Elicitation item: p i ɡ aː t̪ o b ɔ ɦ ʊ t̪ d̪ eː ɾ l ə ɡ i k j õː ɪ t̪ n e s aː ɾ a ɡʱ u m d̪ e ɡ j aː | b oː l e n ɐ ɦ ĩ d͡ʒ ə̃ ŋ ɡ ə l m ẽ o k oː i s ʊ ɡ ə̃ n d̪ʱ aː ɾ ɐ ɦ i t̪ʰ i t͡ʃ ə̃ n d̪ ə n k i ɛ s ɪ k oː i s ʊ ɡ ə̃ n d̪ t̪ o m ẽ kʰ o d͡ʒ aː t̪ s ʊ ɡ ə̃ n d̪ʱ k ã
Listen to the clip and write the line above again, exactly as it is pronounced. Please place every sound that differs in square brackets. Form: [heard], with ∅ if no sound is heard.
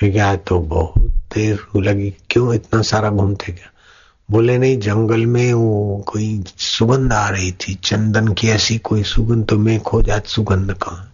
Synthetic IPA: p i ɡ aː t̪ o b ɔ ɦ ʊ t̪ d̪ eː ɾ l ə ɡ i k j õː ɪ t̪ n [a] s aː ɾ a ɡʱ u m [t̪] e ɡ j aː | b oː l e n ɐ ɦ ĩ d͡ʒ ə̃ ŋ ɡ ə l m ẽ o k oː i s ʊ ɡ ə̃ n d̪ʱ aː ɾ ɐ ɦ i t̪ʰ i t͡ʃ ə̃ n d̪ ə n k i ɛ s [i] k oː i s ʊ ɡ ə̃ n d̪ t̪ o m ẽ kʰ o d͡ʒ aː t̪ s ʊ ɡ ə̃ n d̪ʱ k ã